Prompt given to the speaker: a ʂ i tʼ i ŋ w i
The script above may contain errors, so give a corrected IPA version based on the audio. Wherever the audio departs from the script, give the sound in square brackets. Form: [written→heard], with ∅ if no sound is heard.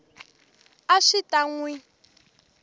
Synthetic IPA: a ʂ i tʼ [i→a] ŋ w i